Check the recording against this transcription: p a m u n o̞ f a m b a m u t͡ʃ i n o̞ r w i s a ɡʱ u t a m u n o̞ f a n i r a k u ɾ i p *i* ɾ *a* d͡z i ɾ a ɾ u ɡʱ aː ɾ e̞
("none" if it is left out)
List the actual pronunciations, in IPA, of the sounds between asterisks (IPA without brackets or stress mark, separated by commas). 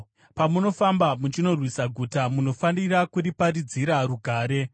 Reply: a, i